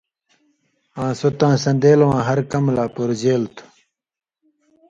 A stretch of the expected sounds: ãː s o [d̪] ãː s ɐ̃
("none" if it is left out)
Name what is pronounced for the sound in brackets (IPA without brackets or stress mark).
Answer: t̪